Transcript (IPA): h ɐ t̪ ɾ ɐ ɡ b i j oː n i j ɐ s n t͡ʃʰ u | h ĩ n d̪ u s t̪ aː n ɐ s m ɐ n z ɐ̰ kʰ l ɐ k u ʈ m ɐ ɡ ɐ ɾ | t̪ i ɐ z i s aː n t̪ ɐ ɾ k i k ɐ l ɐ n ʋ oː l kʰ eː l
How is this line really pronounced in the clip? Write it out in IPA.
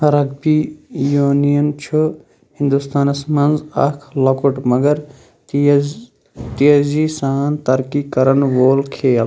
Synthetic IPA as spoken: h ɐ ɾ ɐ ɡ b i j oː n i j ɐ n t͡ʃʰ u | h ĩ n d̪ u s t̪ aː n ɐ s m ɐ n z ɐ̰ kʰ l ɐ k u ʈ m ɐ ɡ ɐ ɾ | t̪ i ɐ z i s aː n t̪ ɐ ɾ k i k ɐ ɾ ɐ n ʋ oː l kʰ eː l